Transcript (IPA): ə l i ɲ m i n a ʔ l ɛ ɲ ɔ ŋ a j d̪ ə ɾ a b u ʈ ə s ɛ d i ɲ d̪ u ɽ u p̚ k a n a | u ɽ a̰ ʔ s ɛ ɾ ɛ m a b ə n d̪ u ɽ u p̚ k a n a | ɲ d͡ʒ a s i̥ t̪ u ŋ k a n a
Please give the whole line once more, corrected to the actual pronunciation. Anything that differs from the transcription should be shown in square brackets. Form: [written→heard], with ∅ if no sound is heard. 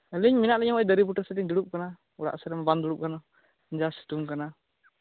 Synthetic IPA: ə l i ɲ m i n a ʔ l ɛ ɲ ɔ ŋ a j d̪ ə ɾ [a→i] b u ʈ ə s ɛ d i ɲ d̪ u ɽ u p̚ k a n a | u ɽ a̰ ʔ s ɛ ɾ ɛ m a b [ə→a] n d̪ u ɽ u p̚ k a n a | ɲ d͡ʒ a s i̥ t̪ u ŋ k a n a